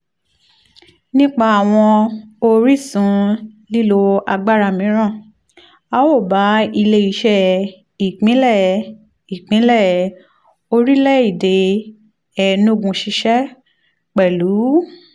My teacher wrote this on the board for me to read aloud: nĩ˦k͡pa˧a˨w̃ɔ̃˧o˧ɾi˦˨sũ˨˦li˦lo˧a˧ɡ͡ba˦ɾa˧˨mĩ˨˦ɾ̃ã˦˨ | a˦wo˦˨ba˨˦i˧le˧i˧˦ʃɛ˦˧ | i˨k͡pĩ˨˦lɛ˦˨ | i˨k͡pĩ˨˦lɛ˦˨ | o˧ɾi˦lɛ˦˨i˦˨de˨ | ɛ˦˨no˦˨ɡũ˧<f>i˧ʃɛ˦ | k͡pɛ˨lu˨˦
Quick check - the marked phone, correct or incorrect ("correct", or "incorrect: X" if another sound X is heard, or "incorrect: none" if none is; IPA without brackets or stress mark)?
incorrect: ʃ